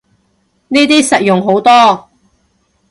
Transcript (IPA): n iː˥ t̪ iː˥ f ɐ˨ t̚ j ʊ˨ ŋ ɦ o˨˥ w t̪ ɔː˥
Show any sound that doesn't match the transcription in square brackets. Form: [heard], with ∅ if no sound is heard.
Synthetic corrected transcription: n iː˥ t̪ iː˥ [s] ɐ˨ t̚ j ʊ˨ ŋ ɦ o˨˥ w t̪ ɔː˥